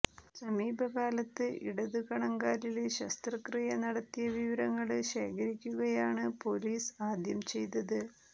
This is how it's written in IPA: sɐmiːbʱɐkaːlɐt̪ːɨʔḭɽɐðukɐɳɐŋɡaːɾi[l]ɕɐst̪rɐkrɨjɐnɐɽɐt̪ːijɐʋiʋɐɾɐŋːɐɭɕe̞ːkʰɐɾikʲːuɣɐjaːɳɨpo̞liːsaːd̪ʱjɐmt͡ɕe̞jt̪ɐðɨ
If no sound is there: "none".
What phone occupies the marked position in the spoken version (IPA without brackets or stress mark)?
l